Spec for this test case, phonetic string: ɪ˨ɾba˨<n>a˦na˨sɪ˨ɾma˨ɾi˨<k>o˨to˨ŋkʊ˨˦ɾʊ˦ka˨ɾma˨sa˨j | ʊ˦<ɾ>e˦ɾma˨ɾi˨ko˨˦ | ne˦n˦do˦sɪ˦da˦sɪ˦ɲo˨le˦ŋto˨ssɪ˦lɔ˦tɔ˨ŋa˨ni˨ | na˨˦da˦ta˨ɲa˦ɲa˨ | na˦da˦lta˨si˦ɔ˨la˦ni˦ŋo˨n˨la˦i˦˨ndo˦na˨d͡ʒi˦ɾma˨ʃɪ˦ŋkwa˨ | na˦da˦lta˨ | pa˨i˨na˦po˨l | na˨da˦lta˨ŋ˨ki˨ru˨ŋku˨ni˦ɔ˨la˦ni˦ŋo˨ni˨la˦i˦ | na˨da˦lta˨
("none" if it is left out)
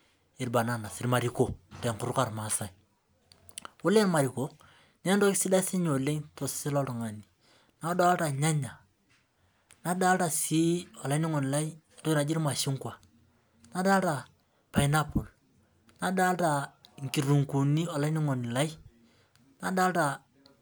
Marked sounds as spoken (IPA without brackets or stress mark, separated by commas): n, k, l